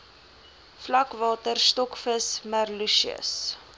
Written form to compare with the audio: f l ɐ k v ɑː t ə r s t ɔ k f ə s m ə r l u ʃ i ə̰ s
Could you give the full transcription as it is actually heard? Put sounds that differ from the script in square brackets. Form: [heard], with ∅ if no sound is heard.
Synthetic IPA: f l ɐ k v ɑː t ə r s t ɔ k f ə s m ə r l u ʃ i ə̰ s